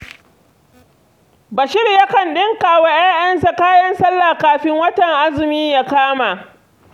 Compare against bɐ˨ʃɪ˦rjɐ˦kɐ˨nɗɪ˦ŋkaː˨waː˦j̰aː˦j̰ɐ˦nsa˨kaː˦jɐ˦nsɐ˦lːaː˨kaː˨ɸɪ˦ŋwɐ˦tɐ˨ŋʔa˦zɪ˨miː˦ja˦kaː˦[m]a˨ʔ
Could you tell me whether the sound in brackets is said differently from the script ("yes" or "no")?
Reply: no